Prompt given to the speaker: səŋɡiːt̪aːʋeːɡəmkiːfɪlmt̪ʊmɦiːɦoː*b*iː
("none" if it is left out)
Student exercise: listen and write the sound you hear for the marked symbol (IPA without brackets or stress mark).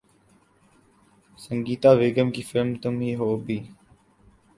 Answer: b